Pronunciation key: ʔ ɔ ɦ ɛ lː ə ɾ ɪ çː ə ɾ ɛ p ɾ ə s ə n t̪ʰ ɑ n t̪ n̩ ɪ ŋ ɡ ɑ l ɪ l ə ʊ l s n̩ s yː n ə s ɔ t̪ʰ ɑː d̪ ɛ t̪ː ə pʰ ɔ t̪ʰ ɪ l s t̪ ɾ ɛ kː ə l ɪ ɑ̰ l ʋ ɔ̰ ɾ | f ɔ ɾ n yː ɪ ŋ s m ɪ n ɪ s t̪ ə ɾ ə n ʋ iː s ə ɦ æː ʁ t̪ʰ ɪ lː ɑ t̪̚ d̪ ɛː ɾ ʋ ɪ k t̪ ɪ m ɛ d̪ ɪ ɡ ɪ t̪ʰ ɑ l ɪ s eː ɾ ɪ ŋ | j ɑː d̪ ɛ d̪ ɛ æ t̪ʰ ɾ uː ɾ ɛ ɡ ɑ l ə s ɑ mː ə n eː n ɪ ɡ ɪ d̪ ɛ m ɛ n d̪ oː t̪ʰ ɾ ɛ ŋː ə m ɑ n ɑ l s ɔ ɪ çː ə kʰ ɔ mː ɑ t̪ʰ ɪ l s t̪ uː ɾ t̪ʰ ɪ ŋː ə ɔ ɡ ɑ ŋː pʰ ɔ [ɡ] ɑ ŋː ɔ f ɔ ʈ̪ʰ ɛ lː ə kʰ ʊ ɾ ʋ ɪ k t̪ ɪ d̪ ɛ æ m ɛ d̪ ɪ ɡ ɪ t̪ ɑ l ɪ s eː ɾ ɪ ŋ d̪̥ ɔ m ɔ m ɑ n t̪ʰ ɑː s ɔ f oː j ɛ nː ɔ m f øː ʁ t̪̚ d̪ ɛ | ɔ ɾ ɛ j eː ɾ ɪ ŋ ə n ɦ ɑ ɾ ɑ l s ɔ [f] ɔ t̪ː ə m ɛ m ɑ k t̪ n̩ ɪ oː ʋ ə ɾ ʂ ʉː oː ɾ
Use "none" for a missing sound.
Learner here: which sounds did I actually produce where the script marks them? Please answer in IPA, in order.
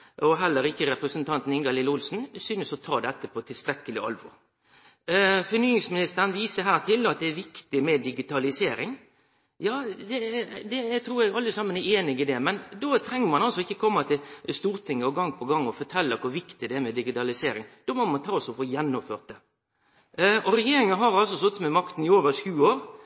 ɡ, s

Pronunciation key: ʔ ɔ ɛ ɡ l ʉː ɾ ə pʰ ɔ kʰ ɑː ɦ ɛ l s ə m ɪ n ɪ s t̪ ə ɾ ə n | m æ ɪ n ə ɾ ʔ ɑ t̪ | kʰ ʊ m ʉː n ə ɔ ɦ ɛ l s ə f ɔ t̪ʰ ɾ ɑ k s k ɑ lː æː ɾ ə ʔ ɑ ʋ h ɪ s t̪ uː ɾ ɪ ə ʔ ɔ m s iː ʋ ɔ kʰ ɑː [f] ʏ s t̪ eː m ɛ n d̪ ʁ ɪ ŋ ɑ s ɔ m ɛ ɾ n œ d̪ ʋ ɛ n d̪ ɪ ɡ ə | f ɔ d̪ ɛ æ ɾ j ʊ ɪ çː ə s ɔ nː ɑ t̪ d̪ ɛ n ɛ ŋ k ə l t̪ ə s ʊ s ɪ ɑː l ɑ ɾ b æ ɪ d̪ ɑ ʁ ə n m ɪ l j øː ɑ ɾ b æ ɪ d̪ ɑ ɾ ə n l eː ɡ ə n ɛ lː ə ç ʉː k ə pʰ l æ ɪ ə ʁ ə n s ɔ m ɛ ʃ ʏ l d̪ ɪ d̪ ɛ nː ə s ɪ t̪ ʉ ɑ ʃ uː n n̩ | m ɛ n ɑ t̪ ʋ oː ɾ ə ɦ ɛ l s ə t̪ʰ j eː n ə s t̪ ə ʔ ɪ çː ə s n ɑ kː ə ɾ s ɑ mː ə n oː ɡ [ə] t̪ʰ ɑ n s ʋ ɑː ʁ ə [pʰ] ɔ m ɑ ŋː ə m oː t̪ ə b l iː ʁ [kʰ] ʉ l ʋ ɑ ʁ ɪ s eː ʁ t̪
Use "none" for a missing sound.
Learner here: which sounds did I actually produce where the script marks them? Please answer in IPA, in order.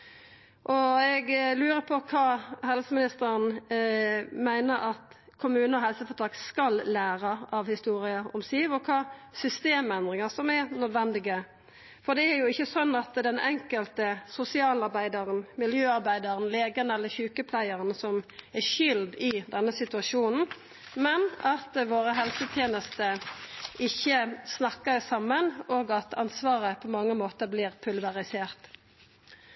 s, ɑ, pʰ, pʰ

